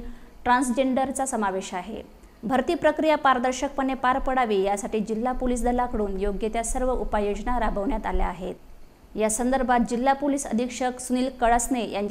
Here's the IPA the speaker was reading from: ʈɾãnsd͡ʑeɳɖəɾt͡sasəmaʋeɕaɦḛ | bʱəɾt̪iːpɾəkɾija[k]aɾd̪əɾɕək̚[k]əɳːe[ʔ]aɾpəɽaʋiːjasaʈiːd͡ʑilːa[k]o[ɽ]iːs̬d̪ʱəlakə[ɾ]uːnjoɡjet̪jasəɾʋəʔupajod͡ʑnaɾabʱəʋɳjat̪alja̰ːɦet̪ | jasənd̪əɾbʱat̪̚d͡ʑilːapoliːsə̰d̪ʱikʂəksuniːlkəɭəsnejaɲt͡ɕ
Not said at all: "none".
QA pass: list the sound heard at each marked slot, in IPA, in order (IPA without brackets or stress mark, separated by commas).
p, p, p, p, l, ɽ